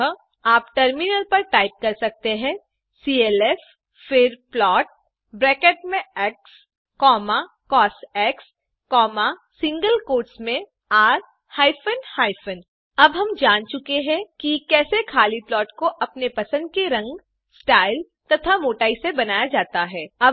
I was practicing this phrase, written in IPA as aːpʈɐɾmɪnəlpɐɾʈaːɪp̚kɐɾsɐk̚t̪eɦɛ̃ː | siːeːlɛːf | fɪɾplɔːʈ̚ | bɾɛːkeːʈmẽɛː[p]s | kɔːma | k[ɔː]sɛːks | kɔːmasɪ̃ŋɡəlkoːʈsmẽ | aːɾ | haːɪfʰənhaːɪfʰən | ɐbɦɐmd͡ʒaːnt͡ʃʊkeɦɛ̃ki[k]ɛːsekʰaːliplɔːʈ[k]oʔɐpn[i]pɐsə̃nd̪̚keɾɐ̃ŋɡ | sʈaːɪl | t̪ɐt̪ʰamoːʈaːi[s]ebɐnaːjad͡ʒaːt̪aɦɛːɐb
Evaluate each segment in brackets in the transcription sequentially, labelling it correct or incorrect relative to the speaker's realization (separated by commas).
incorrect, correct, correct, correct, incorrect, correct